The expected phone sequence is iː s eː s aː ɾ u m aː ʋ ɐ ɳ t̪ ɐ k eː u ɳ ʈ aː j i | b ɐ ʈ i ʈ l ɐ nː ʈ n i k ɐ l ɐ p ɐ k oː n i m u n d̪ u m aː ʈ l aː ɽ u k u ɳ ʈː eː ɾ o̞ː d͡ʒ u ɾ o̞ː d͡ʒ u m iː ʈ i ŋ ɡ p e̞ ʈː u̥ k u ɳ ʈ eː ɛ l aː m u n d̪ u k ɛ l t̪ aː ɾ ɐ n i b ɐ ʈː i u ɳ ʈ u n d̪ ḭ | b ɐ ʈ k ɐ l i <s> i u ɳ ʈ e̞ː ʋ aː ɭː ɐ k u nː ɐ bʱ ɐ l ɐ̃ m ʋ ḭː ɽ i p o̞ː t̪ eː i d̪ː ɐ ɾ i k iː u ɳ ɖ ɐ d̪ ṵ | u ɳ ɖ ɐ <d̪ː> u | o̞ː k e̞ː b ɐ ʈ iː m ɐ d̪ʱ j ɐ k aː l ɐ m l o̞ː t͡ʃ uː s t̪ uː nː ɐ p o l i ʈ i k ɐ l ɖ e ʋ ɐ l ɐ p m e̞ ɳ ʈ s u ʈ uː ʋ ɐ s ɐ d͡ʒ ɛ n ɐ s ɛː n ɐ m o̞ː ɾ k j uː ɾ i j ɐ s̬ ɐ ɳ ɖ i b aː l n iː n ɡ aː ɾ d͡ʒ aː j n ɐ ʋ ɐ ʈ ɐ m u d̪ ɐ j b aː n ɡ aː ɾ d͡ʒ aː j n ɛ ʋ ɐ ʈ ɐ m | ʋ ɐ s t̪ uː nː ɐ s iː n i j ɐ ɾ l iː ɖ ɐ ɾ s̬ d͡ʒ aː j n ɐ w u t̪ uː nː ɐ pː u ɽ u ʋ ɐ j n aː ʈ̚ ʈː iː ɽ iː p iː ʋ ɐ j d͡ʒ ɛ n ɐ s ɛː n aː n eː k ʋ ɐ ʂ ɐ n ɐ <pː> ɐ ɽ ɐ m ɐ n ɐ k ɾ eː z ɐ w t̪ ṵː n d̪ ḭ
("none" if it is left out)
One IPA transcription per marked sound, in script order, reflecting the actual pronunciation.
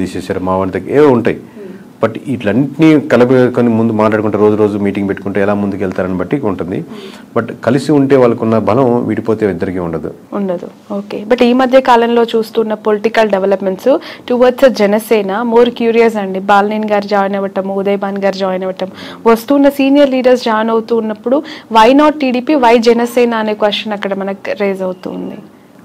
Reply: s, d̪, kː

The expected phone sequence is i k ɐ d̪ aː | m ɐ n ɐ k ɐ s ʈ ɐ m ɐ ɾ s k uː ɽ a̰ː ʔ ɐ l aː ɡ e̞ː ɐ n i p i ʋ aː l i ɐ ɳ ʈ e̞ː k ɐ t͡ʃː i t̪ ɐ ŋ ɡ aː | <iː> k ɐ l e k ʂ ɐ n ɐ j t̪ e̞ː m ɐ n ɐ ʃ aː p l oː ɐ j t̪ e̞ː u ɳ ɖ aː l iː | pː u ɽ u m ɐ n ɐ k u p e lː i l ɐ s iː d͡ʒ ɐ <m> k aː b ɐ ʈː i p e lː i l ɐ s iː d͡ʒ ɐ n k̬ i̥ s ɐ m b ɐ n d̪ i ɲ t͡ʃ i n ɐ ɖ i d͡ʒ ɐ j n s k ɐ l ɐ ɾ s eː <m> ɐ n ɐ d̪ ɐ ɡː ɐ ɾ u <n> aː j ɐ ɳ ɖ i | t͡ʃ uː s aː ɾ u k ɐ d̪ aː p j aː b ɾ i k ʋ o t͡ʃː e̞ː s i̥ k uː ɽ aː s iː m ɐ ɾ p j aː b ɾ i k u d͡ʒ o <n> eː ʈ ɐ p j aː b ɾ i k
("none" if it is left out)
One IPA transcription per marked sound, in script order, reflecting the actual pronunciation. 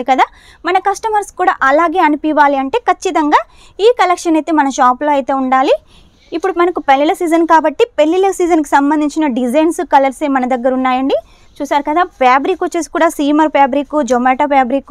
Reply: iː, n, m, nː, m

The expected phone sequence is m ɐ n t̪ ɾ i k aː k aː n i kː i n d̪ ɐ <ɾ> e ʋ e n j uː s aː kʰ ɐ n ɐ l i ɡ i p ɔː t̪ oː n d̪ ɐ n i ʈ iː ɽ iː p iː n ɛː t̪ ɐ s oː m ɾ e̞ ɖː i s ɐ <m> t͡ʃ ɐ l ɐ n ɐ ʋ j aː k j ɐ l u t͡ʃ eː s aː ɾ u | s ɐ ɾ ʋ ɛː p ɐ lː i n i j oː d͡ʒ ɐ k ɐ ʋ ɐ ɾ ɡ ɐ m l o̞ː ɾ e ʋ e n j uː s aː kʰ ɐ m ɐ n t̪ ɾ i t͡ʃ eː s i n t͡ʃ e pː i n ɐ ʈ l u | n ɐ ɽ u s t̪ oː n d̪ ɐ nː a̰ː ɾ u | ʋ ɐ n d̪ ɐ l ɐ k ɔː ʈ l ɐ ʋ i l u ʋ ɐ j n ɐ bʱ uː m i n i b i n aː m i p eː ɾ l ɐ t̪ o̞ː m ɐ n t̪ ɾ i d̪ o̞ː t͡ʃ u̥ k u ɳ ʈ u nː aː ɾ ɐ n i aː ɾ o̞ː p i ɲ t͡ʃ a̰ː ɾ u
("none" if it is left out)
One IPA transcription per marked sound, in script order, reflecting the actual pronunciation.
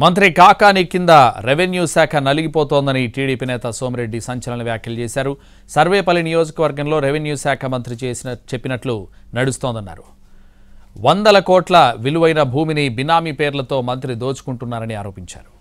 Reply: ɾ, ɲ

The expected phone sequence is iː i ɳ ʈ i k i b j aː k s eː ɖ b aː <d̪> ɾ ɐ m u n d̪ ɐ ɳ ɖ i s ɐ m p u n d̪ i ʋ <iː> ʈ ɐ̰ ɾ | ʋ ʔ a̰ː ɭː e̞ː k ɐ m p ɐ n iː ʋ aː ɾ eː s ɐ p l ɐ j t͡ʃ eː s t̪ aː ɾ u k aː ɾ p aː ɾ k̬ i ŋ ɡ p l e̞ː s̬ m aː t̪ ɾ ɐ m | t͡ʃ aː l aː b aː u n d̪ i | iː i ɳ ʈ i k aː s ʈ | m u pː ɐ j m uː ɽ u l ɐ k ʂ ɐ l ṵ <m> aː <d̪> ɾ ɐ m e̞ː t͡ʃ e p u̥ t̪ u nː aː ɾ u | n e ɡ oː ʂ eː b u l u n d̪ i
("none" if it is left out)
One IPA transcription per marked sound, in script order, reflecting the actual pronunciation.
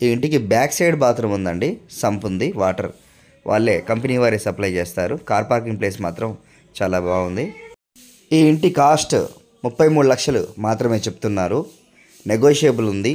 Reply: t̪, aː, m, t̪

